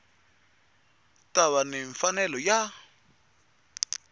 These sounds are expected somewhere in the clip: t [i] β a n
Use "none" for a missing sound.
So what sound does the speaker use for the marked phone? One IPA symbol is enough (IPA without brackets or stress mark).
a